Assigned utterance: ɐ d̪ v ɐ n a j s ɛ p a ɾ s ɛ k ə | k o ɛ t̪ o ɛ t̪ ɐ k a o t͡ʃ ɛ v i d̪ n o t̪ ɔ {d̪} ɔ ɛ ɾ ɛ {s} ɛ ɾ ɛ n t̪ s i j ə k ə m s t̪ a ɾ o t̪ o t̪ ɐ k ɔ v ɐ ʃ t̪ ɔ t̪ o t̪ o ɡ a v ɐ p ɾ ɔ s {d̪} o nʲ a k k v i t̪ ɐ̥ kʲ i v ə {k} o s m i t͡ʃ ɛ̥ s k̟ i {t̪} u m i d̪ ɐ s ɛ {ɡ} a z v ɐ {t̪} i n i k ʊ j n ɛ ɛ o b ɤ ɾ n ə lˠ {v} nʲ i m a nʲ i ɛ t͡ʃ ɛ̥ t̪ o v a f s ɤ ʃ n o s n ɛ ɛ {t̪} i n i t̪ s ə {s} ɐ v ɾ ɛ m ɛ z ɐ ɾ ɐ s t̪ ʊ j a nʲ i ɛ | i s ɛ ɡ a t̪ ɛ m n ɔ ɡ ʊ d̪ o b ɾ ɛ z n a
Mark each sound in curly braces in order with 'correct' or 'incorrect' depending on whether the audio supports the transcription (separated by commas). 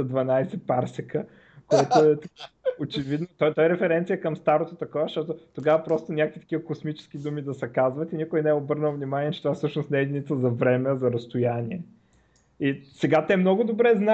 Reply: incorrect, incorrect, incorrect, correct, incorrect, incorrect, correct, correct, incorrect, incorrect